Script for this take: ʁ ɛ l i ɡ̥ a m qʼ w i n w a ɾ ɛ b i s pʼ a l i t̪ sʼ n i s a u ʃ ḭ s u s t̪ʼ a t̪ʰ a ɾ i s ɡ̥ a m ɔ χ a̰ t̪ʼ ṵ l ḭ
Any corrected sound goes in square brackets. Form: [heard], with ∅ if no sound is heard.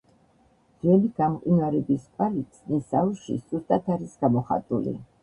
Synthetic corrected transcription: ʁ ɛ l i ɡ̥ a m qʼ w i n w a ɾ ɛ b i s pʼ a l i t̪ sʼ n i s a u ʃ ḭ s u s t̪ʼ a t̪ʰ a ɾ i s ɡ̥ a m ɔ χ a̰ t̪ʼ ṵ l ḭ